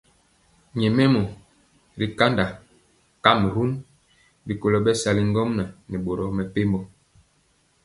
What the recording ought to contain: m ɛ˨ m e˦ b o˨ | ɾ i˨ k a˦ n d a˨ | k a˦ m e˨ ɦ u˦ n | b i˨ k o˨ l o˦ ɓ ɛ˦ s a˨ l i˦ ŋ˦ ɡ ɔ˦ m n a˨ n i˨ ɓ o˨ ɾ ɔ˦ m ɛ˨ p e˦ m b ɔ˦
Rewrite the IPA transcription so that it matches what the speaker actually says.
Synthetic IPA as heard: ɲ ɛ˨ m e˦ m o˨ | ɾ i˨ k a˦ n d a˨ | k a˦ m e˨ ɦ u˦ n | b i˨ k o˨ l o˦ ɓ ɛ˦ s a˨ l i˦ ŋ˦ ɡ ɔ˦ m n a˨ n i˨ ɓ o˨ ɾ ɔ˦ m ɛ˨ p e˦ m b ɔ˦